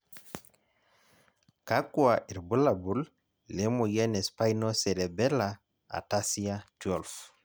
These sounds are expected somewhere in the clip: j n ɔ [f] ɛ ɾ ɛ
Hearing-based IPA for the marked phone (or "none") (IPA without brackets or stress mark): s